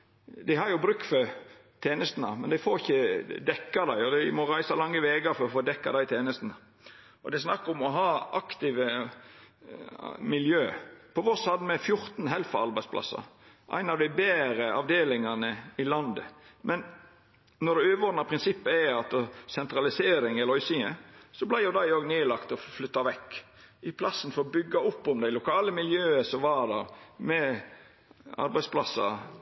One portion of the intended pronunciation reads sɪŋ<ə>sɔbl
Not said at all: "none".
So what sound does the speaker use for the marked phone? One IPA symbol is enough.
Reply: ə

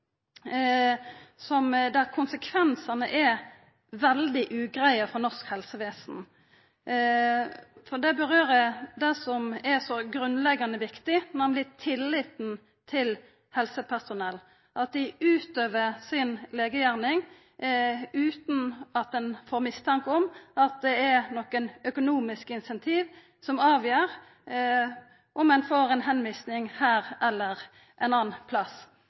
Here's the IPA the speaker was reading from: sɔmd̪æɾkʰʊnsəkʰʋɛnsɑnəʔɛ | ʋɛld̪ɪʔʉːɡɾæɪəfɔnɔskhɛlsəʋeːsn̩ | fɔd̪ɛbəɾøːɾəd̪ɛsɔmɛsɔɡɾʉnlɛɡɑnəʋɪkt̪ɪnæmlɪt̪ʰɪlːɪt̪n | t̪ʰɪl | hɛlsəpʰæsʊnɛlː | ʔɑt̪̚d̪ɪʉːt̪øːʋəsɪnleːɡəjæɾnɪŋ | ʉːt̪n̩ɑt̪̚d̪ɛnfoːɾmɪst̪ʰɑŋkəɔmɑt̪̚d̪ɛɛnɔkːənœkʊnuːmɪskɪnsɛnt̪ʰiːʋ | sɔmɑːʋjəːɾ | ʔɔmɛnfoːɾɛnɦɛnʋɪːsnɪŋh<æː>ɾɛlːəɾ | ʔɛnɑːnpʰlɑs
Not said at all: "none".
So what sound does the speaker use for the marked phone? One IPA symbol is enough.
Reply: æː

